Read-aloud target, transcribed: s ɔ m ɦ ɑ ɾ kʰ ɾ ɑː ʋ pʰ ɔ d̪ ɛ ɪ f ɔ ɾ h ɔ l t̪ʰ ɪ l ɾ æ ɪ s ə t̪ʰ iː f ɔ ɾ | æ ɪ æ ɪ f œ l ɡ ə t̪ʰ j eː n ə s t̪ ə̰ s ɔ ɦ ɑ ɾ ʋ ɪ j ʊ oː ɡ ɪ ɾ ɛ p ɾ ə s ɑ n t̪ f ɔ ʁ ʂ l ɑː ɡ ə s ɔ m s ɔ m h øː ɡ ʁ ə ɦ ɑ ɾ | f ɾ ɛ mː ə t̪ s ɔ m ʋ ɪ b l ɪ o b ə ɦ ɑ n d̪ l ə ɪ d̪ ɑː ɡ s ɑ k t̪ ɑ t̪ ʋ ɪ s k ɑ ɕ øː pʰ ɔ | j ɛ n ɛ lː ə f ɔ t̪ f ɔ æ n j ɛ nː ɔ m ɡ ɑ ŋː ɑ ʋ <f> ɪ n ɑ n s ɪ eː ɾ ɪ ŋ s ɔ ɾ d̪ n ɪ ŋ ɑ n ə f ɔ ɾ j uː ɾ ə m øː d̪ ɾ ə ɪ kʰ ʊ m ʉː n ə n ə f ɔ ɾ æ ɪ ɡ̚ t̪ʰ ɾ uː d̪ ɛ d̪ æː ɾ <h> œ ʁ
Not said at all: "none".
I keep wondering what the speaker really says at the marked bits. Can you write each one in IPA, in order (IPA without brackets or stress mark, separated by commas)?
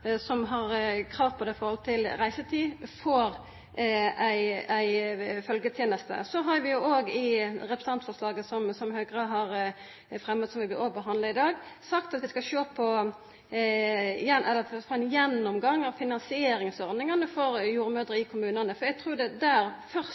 f, f